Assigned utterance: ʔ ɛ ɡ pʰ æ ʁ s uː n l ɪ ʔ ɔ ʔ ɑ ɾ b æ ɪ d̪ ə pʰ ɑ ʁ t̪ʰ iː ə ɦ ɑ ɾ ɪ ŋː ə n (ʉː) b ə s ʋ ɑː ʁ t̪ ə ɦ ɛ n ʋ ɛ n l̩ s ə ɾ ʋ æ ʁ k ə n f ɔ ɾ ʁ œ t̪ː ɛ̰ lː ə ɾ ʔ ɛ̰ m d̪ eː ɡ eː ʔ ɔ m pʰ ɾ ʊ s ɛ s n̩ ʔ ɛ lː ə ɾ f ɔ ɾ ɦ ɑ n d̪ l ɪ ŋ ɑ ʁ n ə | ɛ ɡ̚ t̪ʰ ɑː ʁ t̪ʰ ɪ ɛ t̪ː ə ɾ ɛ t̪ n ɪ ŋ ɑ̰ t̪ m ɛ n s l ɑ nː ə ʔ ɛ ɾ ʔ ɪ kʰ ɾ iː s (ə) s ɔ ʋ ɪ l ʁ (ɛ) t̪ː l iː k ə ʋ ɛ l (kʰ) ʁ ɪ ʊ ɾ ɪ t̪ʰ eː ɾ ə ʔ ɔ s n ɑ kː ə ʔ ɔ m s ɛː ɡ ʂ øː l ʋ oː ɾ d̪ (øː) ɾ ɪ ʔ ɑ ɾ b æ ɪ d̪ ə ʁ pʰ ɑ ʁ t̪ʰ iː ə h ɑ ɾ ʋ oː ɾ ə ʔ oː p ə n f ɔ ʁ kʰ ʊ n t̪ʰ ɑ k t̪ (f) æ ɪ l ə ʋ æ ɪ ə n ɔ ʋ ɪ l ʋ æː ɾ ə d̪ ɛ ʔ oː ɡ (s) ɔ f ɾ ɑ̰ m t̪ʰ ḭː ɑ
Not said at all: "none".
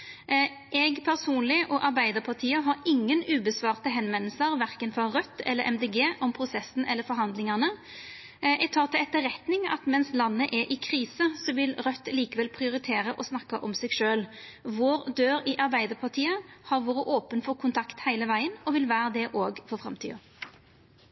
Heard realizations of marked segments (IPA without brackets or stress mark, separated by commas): ʉː, ə, œ, pʰ, øː, h, f